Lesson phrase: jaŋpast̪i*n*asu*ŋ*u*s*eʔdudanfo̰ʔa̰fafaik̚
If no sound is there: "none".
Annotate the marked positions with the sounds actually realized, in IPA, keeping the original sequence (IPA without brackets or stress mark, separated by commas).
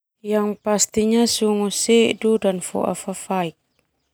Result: ɲ, ŋ, s